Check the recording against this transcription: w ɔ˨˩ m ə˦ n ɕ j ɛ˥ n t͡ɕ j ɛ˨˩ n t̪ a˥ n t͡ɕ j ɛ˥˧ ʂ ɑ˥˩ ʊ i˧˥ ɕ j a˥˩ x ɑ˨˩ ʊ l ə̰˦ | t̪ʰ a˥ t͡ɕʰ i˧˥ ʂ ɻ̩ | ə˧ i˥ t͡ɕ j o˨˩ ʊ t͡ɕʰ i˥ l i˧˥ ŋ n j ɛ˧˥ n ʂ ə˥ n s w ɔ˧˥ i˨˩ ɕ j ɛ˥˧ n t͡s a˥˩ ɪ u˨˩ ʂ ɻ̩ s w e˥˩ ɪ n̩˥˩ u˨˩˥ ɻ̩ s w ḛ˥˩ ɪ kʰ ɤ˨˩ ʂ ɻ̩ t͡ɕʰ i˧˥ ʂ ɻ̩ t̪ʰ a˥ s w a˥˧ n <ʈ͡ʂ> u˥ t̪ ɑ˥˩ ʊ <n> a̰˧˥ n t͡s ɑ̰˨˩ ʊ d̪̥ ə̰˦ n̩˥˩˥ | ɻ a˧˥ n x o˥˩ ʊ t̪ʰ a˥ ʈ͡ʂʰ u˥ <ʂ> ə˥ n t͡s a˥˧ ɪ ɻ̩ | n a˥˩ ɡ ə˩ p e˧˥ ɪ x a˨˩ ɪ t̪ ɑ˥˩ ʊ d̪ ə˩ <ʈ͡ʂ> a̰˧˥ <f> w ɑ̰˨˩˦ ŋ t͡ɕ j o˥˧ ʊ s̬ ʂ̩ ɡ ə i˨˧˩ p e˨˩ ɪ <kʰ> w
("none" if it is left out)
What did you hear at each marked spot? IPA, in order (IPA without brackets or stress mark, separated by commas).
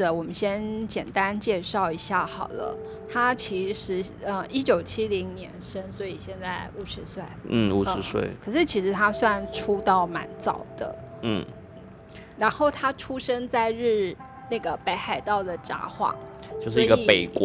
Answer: ʈ͡ʂʰ, m, ʂ, ʈ͡ʂ, x, k